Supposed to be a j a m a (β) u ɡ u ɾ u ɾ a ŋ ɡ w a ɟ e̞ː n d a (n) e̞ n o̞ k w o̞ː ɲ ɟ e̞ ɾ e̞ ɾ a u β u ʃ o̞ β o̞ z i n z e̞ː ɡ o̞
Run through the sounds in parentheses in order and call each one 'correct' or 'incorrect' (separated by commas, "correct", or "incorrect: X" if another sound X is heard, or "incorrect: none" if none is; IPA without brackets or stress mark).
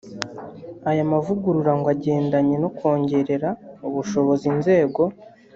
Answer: incorrect: v, incorrect: ɲ